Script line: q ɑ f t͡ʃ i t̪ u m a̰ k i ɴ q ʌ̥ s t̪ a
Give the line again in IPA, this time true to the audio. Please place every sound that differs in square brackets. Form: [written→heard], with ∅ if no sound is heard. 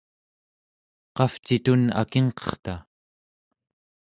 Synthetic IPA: q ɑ f t͡ʃ i t̪ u [m→n] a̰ k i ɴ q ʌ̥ [s→χ] t̪ a